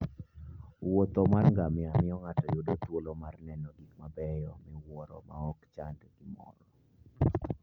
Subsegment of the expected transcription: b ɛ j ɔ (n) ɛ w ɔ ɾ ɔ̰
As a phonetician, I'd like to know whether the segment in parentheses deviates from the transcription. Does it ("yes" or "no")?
yes